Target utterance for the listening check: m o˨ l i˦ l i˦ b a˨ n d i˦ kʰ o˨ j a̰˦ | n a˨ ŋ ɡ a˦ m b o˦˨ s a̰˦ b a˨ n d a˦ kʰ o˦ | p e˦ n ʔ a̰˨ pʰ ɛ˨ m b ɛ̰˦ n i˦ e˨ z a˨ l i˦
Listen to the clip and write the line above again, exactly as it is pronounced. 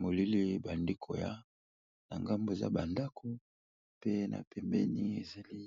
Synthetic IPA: m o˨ l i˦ l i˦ b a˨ n d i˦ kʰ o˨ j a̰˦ | n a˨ ŋ ɡ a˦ m b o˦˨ z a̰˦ b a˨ n d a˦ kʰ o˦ | p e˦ n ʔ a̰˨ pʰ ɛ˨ m b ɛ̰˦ n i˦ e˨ z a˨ l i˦